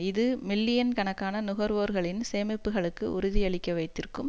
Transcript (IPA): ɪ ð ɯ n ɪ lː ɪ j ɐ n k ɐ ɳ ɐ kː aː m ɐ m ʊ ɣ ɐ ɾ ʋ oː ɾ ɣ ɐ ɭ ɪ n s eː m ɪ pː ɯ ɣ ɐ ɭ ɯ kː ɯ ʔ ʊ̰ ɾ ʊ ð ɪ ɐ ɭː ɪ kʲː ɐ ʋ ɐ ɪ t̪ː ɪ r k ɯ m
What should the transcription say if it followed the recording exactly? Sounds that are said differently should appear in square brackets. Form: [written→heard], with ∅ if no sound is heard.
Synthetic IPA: ɪ ð ɯ [n→m] ɪ lː ɪ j ɐ n k ɐ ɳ ɐ kː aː [m→n] ɐ [m→n] ʊ ɣ ɐ ɾ ʋ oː ɾ ɣ ɐ ɭ ɪ n s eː m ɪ pː ɯ ɣ ɐ ɭ ɯ kː ɯ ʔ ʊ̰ ɾ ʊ ð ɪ ɐ [ɭː→ɭ] ɪ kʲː ɐ ʋ ɐ ɪ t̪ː ɪ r k ɯ m